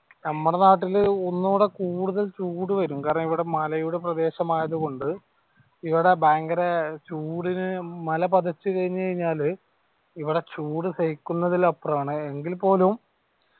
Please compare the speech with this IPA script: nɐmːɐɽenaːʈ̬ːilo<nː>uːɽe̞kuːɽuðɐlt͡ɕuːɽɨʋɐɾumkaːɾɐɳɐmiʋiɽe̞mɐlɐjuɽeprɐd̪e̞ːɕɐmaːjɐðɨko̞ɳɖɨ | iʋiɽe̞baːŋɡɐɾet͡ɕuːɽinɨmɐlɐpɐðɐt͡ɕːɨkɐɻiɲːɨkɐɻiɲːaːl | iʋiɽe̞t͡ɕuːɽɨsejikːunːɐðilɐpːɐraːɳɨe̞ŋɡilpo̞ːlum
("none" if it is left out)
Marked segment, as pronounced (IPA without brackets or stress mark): nː